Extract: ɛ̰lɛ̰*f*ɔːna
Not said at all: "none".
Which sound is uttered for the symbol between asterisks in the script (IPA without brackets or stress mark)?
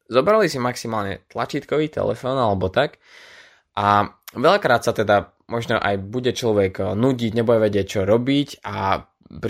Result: f